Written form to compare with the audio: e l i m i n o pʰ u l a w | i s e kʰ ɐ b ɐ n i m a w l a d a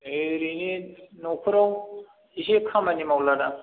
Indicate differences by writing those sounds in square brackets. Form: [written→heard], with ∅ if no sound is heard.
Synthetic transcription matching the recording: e [l→ɾ] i [m→n] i n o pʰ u [l→ɾ] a w | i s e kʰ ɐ [b→m] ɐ n i m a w l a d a